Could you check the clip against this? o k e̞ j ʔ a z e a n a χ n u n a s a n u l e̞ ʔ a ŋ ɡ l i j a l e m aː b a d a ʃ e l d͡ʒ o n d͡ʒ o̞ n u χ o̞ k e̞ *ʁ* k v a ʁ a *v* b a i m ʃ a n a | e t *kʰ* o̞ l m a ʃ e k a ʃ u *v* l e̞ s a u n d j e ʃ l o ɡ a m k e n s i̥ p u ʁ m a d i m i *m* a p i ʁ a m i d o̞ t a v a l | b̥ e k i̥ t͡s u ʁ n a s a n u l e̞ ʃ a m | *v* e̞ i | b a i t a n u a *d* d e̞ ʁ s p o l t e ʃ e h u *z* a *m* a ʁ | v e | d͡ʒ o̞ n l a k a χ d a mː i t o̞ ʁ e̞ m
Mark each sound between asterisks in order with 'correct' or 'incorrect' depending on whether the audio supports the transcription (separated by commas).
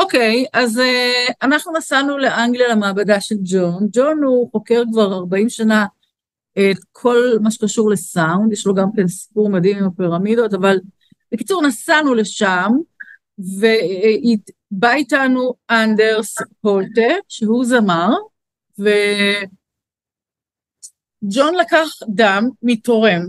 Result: correct, incorrect, correct, incorrect, correct, correct, incorrect, correct, correct